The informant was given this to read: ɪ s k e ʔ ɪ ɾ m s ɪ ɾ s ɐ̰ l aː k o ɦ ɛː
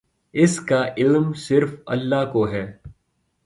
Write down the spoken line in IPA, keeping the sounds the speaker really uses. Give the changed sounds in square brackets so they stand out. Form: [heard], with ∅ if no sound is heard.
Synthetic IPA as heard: ɪ s k [a] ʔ ɪ [l] m s ɪ ɾ [f] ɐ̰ [lː] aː k o ɦ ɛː

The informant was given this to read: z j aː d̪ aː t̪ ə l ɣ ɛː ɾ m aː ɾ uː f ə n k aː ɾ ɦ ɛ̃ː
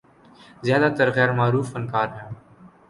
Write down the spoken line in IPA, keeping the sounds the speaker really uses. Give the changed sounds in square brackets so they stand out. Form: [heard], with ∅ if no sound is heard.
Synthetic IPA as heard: z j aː d̪ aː t̪ ə [ɾ] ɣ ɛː ɾ m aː ɾ uː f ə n k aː ɾ ɦ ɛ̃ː

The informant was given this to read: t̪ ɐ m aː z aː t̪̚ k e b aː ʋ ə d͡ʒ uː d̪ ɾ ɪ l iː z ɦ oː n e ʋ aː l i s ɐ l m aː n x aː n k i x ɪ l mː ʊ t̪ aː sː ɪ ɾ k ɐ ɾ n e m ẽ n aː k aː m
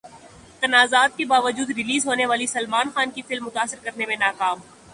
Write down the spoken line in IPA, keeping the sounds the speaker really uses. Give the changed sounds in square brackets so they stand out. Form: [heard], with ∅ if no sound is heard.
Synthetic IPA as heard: t̪ ɐ [n] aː z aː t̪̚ k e b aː ʋ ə d͡ʒ uː d̪ ɾ ɪ l iː z ɦ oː n e ʋ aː l i s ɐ l m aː n x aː n k i [f] ɪ l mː ʊ t̪ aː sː ɪ ɾ k ɐ ɾ n e m ẽ n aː k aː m

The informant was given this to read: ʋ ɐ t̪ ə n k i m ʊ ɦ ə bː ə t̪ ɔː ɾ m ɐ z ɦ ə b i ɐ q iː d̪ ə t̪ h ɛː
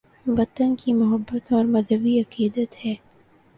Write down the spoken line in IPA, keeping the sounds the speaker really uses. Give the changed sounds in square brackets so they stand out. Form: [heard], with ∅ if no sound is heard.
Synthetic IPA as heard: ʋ ɐ t̪ ə n k i m ʊ ɦ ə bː ə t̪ ɔː ɾ m ɐ z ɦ ə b i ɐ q iː d̪ ə t̪ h ɛː

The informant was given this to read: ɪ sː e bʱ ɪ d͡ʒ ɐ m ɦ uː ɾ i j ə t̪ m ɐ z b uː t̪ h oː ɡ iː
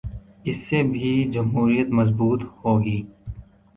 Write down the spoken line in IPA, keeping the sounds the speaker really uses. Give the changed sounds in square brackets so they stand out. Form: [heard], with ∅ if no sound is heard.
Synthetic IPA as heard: ɪ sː e bʱ [i] d͡ʒ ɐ m ɦ uː ɾ i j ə t̪ m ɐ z b uː t̪ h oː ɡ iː

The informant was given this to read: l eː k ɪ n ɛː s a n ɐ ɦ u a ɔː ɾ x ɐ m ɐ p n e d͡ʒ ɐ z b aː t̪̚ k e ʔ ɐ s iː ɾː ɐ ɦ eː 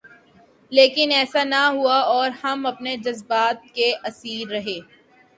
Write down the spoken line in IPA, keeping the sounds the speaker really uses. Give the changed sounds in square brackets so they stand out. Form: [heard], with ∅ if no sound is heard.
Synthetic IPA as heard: l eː k ɪ n ɛː s a n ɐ ɦ u a ɔː ɾ [h] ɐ m ɐ p n e d͡ʒ ɐ z b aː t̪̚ k e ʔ ɐ s iː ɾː ɐ ɦ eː

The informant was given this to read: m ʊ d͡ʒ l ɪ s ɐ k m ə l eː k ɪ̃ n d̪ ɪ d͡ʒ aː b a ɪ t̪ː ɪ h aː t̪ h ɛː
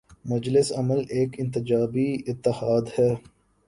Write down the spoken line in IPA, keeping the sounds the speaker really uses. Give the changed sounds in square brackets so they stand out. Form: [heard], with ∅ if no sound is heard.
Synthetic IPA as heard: m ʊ d͡ʒ l ɪ s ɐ [∅] m ə l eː k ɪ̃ n [t̪] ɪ d͡ʒ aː b [i] ɪ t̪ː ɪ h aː [d̪] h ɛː

